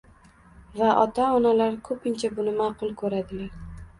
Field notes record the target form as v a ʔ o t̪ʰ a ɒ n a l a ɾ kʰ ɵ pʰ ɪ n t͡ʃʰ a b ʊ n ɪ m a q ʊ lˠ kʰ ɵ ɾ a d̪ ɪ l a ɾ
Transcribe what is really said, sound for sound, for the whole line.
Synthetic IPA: v a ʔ ɒ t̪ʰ a ɒ n a l a ɾ kʰ ɵ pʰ ɪ n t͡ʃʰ a b ʊ n ɪ m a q ʊ lˠ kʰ ɵ ɾ a d̪ ɪ l a ɾ

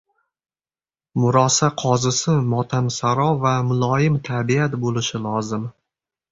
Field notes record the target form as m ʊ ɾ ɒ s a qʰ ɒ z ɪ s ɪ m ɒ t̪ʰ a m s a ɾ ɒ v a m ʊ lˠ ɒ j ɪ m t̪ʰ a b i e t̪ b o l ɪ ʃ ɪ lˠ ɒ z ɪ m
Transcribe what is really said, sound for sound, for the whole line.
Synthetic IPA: m ʊ ɾ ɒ s a qʰ ɒ z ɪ s ɪ m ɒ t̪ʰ a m s a ɾ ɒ v a m ʊ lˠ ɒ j ɪ m t̪ʰ a b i a t̪ b o l ɪ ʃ ɪ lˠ ɒ z ɪ m

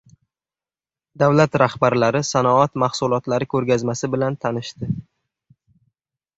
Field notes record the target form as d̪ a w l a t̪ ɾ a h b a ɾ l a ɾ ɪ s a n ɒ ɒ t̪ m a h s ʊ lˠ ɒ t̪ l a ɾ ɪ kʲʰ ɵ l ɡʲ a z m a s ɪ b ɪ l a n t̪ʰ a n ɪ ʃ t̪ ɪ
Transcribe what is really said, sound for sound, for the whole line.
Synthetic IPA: d̪ a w l a t̪ ɾ a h b a ɾ l a ɾ ɪ s a n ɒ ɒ t̪ m a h s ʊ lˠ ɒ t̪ l a ɾ ɪ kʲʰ ɵ ɾ ɡʲ a z m a s ɪ b ɪ l a n t̪ʰ a n ɪ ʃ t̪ ɪ

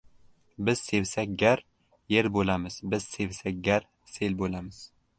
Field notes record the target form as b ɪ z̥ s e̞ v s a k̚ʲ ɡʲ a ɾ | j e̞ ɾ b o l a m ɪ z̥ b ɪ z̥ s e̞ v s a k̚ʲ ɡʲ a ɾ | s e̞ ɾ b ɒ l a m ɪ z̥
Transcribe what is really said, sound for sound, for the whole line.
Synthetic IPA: b ɪ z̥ s e̞ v s a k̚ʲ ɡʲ a ɾ | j e̞ ɾ b o l a m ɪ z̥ b ɪ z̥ s e̞ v s a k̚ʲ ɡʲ a ɾ | s e̞ l b o l a m ɪ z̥

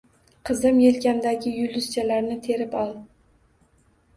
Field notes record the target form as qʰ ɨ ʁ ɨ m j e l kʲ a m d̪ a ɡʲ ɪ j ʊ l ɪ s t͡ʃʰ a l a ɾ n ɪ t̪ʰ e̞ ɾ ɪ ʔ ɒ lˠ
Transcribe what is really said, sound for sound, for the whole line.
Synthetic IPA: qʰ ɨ z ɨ m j e l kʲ a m d̪ a ɡʲ ɪ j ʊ l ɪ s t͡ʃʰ a l a ɾ n ɪ t̪ʰ e̞ ɾ ɪ p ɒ lˠ

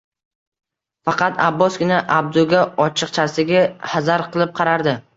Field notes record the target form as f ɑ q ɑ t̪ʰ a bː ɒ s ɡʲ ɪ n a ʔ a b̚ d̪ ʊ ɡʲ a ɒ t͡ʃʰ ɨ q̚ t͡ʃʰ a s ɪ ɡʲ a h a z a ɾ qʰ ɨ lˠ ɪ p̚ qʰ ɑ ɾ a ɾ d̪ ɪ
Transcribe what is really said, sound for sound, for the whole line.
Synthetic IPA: f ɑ q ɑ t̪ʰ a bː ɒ s ɡʲ ɪ n a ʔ a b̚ d̪ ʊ ɡʲ a ɒ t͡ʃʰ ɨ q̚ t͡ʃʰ a s ɪ ɡʲ a h a z a ɾ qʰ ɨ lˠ ɪ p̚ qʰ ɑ ɾ a ɾ d̪ ɪ

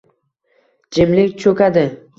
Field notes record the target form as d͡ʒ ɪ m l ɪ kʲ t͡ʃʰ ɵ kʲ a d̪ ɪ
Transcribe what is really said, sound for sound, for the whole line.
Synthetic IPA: d͡ʒ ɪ m l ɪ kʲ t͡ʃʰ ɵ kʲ a d̪ ɪ

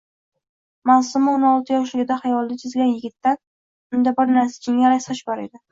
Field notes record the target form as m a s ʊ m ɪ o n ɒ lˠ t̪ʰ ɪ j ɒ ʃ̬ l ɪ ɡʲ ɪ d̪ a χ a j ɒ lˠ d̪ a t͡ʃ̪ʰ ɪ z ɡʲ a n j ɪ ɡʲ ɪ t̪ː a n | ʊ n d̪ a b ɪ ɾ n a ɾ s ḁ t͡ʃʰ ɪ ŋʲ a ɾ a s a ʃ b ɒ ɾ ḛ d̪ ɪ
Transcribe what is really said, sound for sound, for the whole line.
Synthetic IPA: m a s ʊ m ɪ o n ɒ lˠ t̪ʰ ɪ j ɒ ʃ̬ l ɪ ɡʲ ɪ d̪ a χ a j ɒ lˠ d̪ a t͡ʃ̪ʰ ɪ z ɡʲ a n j ɪ ɡʲ ɪ t̪ː a n | ʊ n d̪ a b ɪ ɾ n a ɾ s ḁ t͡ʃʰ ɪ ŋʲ a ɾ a s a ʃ b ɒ ɾ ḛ d̪ ɪ

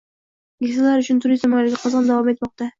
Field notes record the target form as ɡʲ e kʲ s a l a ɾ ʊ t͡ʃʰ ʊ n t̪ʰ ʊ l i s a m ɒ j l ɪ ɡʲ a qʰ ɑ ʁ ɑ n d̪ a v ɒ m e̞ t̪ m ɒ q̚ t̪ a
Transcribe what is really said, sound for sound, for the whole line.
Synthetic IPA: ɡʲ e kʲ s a l a ɾ ʊ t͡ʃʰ ʊ n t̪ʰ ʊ ɾ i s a m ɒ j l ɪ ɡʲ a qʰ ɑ z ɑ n d̪ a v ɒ m e̞ t̪ m ɒ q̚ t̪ a

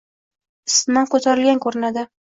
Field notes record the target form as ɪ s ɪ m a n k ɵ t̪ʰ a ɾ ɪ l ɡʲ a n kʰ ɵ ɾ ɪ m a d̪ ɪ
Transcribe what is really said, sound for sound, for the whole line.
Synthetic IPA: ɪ s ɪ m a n k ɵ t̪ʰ a ɾ ɪ l ɡʲ a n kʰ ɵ ɾ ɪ n a d̪ ɪ

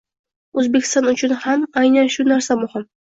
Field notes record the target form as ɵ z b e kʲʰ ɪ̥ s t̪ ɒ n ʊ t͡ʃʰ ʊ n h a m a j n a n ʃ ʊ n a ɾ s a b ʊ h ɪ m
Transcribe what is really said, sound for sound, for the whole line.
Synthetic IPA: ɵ z b e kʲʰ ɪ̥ s t̪ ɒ n ʊ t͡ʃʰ ʊ n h a m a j n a n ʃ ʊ n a ɾ s a m ʊ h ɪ m

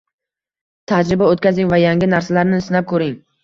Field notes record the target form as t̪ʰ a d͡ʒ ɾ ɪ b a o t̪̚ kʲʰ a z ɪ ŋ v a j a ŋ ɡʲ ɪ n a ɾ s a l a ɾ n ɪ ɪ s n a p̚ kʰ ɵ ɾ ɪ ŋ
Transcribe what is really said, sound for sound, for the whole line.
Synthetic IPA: t̪ʰ a d͡ʒ ɾ ɪ b a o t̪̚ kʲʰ a z ɪ ŋ v a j a ŋ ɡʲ ɪ n a ɾ s a l a ɾ n ɪ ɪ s n a p̚ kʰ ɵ ɾ ɪ ŋ

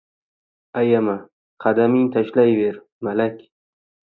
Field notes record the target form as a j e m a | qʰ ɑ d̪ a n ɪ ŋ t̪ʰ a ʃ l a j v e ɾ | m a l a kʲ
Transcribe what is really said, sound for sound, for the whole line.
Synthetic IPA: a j a m a | qʰ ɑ d̪ a m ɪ ŋ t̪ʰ a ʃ l a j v e ɾ | m a l a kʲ

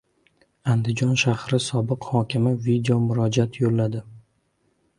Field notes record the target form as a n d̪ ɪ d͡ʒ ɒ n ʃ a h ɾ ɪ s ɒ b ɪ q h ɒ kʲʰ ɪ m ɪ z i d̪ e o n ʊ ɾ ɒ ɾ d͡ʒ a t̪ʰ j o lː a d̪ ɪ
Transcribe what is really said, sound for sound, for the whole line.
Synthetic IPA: a n d̪ ɪ d͡ʒ ɒ n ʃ a h ɾ ɪ s ɒ b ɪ q h ɒ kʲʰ ɪ m ɪ v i d̪ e o m ʊ ɾ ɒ d͡ʒ a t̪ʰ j o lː a d̪ ɪ

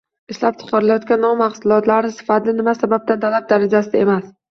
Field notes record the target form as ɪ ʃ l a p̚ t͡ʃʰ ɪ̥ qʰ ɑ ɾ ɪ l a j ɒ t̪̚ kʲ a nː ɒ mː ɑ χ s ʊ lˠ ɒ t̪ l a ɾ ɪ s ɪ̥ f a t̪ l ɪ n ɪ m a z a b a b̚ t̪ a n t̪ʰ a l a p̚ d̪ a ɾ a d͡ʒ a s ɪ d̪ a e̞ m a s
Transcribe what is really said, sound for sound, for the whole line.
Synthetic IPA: ɪ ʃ l a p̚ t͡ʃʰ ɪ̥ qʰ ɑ ɾ ɪ l a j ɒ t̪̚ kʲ a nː ɒ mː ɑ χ s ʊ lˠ ɒ t̪ l a ɾ ɪ s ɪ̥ f a t̪ l ɪ n ɪ m a s a b a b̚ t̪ a n t̪ʰ a l a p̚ d̪ a ɾ a d͡ʒ a s ɪ d̪ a e̞ m a s

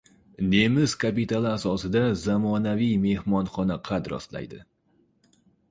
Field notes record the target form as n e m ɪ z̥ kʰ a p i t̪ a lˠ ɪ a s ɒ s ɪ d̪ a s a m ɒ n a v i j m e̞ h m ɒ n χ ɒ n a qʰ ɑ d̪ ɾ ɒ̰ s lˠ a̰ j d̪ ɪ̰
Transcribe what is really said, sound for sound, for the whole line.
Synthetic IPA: n e m ɪ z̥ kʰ a p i t̪ a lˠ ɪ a s ɒ s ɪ d̪ a z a m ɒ n a v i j m e̞ h m ɒ n χ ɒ n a qʰ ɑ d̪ ɾ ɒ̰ s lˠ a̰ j d̪ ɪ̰

